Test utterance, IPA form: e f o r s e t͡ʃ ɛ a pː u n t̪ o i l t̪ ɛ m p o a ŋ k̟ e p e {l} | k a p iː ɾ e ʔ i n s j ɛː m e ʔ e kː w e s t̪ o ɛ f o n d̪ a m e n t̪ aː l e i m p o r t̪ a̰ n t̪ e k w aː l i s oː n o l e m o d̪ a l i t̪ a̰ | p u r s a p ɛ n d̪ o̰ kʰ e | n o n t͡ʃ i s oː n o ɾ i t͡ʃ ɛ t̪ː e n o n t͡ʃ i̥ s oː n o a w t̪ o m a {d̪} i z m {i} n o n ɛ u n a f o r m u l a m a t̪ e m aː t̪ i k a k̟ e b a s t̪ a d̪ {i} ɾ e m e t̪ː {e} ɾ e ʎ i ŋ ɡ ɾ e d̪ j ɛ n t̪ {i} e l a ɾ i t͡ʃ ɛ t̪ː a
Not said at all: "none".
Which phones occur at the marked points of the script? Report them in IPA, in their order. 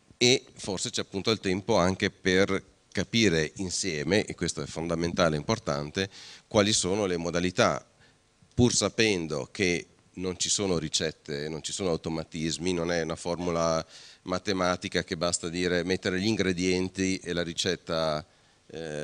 r, t̪, i, iː, e, i

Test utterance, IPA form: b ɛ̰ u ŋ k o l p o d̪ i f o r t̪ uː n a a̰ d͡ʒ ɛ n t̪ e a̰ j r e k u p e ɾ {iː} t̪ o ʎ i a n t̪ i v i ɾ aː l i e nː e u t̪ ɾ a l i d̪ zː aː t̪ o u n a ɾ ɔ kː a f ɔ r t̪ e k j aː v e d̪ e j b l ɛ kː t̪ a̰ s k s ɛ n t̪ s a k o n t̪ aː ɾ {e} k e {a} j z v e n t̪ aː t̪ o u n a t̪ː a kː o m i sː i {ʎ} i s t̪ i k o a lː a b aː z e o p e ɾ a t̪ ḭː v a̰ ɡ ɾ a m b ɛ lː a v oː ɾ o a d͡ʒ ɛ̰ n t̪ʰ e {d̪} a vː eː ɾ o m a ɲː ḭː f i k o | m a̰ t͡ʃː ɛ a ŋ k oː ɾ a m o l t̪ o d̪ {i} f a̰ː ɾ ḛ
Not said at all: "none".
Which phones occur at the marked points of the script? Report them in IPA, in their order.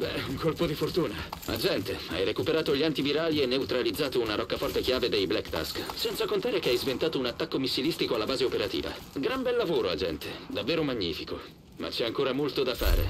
aː, e, a, l, d̪, a

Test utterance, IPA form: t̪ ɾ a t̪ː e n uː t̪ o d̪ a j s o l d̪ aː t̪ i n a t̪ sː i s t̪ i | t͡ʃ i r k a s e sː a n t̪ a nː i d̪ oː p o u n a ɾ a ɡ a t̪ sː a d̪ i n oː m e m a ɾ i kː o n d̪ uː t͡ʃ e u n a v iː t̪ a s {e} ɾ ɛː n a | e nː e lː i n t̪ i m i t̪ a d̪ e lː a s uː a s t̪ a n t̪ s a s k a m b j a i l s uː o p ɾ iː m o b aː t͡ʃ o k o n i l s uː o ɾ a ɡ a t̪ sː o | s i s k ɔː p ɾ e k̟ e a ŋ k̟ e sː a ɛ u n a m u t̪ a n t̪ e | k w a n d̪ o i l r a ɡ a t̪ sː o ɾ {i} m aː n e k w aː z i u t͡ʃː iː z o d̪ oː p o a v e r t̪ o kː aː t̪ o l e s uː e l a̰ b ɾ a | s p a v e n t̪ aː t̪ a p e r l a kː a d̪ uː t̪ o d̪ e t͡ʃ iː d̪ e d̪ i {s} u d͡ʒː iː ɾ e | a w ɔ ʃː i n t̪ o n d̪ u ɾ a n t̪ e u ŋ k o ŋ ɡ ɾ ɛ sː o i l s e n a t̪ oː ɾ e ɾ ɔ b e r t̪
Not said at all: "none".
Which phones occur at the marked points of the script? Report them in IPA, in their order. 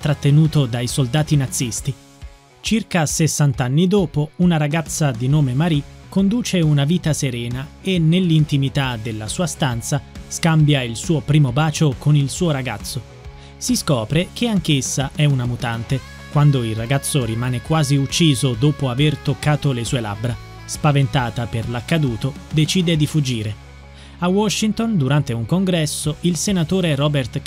e, i, f

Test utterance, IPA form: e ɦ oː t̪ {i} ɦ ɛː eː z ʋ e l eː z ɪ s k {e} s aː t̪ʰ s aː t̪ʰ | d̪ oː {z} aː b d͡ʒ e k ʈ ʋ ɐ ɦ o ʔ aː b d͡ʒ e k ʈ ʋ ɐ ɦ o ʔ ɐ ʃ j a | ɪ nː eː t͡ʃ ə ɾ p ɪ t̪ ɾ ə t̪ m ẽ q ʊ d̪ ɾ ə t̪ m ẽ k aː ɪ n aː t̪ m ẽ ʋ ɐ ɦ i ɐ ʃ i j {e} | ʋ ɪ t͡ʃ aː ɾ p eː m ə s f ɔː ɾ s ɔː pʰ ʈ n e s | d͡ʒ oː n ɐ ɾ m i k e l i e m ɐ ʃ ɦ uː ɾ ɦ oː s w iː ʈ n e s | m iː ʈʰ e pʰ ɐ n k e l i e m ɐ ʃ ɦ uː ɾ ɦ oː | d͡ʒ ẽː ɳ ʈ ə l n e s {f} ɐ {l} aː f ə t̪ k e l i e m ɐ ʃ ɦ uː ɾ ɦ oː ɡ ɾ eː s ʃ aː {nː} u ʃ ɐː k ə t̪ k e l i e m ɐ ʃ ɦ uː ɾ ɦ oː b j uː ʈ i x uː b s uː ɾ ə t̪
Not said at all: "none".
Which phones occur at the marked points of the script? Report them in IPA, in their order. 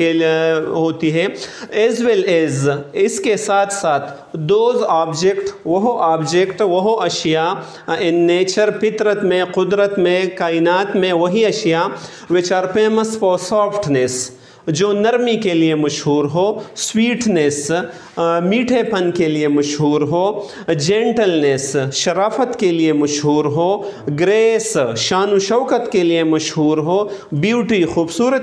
i, e, z, a, ʃ, ɾ, n

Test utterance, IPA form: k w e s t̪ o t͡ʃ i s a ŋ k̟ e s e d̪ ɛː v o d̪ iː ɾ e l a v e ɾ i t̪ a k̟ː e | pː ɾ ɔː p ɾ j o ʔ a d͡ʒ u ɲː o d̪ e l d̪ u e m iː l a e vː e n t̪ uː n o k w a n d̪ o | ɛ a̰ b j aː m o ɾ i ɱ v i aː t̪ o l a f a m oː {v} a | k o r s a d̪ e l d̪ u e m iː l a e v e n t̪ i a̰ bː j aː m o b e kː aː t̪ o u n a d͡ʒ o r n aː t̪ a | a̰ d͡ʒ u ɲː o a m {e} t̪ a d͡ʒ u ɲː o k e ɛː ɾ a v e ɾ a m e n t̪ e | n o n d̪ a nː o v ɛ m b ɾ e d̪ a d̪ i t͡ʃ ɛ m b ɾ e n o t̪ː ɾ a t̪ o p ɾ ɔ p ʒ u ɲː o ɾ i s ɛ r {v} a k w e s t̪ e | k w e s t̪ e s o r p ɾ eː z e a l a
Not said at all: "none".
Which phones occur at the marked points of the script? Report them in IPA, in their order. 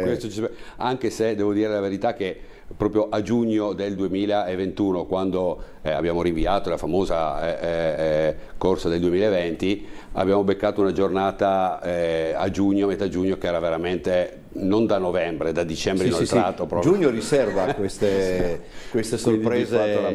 z, e, v

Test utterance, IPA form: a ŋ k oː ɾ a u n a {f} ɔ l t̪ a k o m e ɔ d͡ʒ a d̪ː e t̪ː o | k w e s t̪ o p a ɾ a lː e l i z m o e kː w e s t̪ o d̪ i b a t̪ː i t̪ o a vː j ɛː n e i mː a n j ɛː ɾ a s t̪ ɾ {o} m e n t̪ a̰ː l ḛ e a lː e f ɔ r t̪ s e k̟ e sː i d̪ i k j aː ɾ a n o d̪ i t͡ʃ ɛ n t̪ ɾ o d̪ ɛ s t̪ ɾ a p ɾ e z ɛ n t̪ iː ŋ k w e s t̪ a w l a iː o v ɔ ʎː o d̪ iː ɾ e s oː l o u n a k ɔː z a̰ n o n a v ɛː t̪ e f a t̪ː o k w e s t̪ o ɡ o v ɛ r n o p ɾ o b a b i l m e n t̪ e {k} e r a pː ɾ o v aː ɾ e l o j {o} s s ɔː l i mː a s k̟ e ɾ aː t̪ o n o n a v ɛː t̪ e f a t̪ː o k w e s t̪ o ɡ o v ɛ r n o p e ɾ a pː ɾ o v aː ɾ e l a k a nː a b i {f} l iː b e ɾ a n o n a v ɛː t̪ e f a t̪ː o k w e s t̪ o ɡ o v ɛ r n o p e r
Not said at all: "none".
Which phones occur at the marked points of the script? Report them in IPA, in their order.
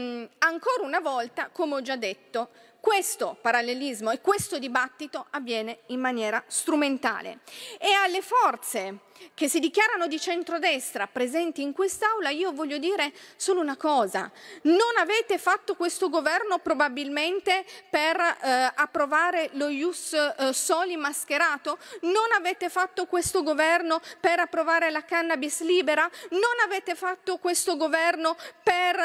v, u, p, u, s

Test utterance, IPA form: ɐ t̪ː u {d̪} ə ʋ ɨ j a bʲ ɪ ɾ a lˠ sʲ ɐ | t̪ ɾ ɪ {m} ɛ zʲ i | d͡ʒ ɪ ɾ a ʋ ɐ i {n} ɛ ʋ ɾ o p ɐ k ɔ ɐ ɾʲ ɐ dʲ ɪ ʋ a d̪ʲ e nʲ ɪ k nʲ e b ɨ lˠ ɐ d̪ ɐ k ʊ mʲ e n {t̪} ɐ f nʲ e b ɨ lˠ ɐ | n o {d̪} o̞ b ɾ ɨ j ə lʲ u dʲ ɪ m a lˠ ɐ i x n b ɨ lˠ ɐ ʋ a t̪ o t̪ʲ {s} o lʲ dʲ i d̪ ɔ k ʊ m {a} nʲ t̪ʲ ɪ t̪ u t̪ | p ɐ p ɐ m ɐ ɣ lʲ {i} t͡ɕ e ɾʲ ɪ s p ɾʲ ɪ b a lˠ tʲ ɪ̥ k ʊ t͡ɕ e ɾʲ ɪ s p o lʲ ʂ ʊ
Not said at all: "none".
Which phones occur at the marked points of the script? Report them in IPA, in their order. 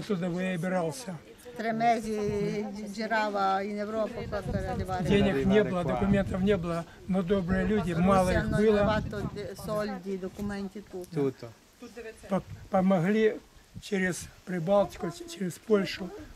d̪, m, n, t̪, d̪, s, ɛ, i

